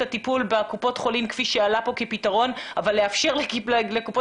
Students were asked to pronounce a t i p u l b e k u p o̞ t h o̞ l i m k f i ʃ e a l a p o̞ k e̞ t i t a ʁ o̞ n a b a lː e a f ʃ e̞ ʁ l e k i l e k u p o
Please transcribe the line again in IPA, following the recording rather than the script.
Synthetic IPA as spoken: a t i p u l b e k u p o̞ t χ o̞ l i m k f i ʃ e a l a p o̞ k e̞ p i t a ʁ o̞ n a v a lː e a f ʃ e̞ ʁ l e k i l e k u p o

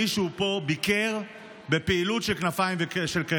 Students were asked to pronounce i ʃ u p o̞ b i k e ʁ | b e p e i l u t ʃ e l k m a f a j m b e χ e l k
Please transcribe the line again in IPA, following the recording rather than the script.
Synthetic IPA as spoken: i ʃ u p o̞ b i k e ʁ | b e p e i l u t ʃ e l k n a f a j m v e ʃ e l k

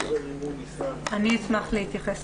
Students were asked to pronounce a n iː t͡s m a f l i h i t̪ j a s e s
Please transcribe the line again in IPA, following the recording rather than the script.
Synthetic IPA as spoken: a n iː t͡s m a χ l e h i t̪ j a χ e s

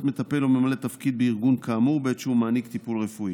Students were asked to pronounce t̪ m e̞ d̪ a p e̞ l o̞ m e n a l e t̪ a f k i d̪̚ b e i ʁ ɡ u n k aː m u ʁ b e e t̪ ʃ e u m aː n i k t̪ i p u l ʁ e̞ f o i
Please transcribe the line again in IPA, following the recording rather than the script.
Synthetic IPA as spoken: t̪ m e̞ t̪ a p e̞ l o̞ m e m a l e t̪ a f k i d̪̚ b e i ʁ ɡ u n k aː m u ʁ b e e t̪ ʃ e u m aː n i k t̪ i p u l ʁ e̞ f u i

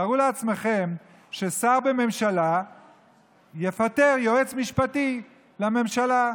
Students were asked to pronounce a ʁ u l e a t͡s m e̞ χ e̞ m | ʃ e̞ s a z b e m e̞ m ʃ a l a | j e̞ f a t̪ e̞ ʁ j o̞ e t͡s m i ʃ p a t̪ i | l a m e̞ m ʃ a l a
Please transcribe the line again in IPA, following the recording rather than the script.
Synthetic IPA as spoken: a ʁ u l e a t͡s m e̞ χ e̞ m | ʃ e̞ s a ʁ b e m e̞ m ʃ a l a | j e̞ f a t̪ e̞ ʁ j o̞ e t͡s m i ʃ p a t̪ i | l a m e̞ m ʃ a l a

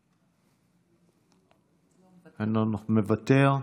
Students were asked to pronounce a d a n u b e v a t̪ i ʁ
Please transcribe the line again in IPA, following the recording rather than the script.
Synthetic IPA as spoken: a n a n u m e v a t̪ e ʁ

